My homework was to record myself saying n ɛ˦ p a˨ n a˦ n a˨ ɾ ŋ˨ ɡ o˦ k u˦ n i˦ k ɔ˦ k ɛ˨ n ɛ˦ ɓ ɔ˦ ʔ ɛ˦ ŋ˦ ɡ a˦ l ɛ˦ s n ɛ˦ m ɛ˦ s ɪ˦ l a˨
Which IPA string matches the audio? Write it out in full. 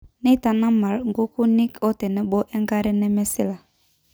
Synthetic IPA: n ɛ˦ t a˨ n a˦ m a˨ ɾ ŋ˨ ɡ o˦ k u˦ n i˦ k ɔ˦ t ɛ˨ n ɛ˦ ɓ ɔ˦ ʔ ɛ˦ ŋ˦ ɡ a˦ ɾ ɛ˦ n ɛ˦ m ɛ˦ s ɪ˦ l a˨